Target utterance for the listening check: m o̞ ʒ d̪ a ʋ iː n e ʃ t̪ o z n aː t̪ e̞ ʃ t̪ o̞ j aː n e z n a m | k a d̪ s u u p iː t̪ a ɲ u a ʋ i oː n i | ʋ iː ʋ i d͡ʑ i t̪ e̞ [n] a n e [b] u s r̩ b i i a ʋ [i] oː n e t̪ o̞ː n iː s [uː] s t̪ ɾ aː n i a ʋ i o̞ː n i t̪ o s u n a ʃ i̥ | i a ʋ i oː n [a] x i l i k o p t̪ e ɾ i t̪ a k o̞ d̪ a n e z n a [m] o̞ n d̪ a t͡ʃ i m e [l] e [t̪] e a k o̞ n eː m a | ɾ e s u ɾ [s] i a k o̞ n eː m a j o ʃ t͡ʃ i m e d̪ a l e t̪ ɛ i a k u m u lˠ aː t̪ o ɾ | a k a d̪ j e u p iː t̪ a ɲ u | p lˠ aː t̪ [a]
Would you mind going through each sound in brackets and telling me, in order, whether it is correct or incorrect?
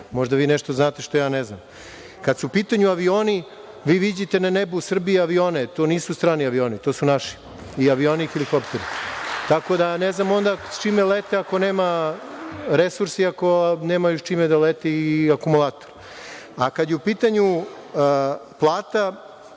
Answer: correct, correct, correct, incorrect: u, incorrect: i, correct, correct, correct, correct, correct

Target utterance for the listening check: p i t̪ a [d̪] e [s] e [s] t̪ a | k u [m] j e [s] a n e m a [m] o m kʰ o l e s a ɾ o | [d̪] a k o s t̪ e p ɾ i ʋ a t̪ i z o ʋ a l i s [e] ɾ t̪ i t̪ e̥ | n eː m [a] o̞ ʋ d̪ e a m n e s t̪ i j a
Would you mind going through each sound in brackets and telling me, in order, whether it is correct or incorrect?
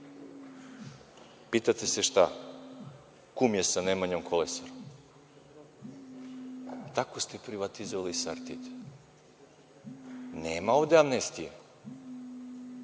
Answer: incorrect: t̪, correct, incorrect: ʃ, correct, correct, incorrect: ɲ, incorrect: t̪, incorrect: a, correct

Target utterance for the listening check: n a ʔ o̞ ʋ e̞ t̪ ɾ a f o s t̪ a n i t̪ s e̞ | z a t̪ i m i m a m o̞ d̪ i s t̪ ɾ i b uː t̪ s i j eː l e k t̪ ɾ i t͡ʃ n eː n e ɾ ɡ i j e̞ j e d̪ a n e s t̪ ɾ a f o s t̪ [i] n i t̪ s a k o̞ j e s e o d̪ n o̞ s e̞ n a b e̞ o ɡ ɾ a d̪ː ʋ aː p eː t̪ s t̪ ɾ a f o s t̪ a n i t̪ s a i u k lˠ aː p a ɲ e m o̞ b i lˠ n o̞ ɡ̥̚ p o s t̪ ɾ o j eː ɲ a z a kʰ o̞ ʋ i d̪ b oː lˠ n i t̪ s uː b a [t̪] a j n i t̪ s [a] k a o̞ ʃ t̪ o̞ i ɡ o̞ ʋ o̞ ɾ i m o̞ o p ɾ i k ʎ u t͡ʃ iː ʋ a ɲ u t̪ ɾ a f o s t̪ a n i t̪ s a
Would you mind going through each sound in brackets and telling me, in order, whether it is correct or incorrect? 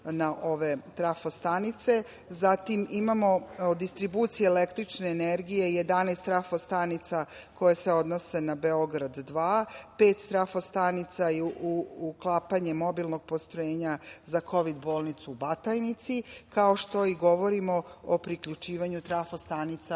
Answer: incorrect: a, correct, incorrect: i

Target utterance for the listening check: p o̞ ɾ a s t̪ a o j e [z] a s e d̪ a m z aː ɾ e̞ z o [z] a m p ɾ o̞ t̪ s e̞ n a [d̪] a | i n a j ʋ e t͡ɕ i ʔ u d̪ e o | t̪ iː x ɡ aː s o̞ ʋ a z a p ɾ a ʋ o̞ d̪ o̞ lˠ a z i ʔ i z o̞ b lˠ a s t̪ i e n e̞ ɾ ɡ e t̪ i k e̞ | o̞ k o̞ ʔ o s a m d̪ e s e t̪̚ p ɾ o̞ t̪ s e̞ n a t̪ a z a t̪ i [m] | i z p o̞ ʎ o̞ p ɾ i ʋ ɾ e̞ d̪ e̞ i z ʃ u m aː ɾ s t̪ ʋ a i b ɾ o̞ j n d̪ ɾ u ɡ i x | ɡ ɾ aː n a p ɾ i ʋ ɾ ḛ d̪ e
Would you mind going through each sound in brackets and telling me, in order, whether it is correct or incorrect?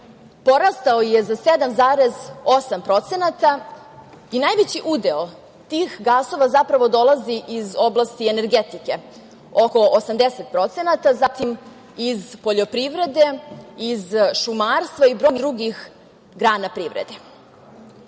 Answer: correct, incorrect: s, incorrect: t̪, correct

